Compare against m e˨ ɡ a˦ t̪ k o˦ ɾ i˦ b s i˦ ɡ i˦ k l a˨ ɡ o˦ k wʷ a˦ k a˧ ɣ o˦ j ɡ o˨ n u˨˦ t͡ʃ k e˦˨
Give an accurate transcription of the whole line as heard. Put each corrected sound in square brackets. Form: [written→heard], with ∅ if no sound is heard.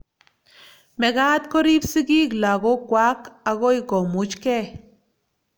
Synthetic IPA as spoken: m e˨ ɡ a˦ t̪ k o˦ ɾ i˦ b s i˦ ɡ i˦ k l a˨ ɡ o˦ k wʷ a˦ k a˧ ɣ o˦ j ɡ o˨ [n→m] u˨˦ t͡ʃ k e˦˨

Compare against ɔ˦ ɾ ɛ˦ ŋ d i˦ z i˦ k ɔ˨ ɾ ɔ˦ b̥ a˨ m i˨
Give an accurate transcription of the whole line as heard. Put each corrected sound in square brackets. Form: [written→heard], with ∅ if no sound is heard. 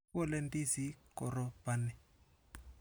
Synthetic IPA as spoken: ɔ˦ [ɾ→l] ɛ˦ [ŋ→n] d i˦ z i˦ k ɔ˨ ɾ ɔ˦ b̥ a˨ [m→n] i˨

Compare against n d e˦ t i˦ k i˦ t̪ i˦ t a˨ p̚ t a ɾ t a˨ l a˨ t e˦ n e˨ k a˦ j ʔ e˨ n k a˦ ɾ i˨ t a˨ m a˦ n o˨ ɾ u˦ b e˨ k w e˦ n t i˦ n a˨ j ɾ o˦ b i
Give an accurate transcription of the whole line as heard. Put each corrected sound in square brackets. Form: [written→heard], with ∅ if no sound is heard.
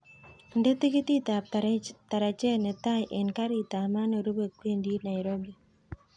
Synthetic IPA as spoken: n d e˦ t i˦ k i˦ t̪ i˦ t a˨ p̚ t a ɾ t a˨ [l→ɾ] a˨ [t→t͡ʃ] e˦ n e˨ [k→t] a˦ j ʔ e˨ n k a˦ ɾ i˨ t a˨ m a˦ n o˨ ɾ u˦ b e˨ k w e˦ n [t→d] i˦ n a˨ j ɾ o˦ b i

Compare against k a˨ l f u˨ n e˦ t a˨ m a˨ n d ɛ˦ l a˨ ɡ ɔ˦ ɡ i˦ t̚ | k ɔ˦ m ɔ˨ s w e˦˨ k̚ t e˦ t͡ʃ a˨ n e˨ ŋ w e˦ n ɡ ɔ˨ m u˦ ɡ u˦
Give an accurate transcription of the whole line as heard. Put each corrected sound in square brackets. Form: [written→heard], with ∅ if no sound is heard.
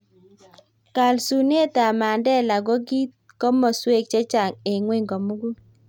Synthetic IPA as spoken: k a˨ l [f→s] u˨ n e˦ t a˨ m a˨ n d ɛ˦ l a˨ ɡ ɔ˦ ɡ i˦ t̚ | k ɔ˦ m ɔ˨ s w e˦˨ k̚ [t→t͡ʃ] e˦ t͡ʃ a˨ [n→ŋ] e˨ ŋ w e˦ [n→ŋ] ɡ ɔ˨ m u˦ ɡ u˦

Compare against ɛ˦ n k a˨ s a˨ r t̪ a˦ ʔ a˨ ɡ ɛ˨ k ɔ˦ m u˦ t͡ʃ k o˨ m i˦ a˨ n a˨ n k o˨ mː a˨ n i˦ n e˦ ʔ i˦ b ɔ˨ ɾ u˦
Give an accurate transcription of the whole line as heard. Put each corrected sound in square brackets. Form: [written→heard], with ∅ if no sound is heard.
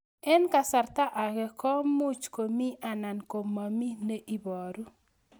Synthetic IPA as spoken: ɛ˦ n k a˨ s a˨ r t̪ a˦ ʔ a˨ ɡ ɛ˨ k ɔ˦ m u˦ t͡ʃ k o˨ m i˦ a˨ n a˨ n k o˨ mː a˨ [n→m] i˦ n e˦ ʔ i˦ b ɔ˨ ɾ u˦

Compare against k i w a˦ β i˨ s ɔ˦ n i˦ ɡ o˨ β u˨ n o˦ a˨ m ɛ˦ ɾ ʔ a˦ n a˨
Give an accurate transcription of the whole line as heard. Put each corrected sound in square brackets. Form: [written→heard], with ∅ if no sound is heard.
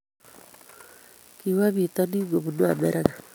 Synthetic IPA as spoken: k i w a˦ β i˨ [s→t] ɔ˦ n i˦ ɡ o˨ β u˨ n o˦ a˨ m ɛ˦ ɾ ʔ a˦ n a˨

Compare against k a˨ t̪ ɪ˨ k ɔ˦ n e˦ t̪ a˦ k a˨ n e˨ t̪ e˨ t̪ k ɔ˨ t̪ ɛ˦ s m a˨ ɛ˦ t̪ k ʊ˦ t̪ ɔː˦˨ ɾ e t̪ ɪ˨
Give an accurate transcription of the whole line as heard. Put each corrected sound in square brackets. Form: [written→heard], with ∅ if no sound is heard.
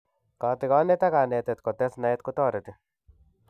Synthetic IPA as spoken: k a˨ t̪ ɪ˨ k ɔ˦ n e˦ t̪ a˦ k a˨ n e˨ t̪ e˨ t̪ k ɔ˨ t̪ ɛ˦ s [m→n] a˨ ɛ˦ t̪ k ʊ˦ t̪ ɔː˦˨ ɾ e t̪ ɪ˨

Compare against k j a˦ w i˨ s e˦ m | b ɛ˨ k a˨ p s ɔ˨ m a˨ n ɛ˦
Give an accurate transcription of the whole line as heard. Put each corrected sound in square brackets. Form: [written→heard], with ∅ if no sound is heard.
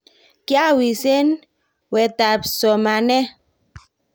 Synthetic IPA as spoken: k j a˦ w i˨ s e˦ [m→n] | [b→w] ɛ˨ [k→t] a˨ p s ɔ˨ m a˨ n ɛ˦

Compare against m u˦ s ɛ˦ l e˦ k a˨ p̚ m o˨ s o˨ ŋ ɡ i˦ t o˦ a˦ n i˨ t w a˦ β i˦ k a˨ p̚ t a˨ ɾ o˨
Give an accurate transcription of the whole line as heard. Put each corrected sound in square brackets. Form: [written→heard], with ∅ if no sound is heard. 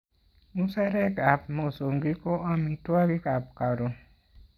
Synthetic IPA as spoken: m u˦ s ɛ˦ [l→ɾ] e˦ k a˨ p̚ m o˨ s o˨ ŋ ɡ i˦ [t→k] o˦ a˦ [n→m] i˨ t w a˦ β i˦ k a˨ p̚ [t→k] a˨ ɾ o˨

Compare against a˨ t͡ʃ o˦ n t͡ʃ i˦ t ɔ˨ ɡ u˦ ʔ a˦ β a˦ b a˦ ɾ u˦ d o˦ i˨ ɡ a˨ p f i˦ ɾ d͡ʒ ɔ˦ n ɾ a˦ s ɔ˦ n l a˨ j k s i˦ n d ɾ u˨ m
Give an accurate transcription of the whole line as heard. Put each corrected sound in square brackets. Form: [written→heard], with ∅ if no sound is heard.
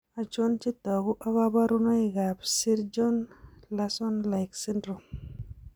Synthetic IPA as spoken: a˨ t͡ʃ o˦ n t͡ʃ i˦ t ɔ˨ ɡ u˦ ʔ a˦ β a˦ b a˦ ɾ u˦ [d→n] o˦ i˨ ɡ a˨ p [f→s] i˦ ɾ d͡ʒ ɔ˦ n [ɾ→l] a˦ s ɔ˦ n l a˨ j k s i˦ n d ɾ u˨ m

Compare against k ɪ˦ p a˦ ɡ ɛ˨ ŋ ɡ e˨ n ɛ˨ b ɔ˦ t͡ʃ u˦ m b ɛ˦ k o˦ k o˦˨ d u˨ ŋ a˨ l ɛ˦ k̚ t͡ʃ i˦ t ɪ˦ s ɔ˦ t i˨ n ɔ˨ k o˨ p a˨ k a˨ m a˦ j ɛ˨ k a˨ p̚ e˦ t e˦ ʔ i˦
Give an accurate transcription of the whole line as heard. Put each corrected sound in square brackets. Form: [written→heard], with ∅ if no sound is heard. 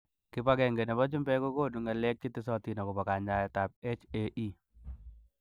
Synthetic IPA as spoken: k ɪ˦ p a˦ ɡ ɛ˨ ŋ ɡ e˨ n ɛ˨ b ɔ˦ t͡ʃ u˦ m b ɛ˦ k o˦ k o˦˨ d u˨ ŋ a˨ l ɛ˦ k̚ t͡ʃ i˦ t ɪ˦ s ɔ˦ t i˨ n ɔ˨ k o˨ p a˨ k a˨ [m→ɲ] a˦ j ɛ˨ [k→t] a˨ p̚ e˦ [t→t͡ʃ] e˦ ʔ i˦

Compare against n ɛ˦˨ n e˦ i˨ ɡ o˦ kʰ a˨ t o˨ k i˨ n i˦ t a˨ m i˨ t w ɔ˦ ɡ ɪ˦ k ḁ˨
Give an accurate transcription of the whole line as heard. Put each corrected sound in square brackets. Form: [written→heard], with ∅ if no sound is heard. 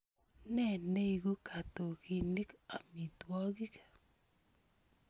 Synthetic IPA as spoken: n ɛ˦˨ n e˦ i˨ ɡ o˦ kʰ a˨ t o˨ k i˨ n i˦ [t→k] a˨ m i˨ t w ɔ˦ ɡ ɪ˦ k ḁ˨

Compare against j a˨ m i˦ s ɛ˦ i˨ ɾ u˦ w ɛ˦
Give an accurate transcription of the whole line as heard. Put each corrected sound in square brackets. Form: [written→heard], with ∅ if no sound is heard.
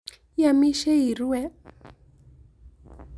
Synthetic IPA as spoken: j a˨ m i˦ [s→ʃ] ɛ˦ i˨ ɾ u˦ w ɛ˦

